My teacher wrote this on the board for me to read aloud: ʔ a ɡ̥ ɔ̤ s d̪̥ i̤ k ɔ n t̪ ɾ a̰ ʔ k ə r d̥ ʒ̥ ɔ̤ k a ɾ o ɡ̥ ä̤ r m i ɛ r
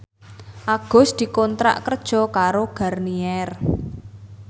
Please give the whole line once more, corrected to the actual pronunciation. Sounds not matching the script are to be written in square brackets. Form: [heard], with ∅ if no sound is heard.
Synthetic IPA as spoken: ʔ a ɡ̥ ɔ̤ s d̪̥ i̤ k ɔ n t̪ ɾ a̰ ʔ k ə r d̥ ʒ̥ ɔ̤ k a ɾ o ɡ̥ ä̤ r [n] i ɛ r